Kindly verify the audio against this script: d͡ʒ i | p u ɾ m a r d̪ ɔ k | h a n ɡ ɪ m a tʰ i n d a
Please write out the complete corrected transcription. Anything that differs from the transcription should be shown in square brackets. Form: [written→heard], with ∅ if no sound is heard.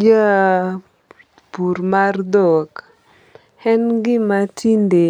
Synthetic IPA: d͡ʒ [i→a] | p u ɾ m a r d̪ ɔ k | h [a→ɛ] n ɡ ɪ m a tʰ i n d [a→e]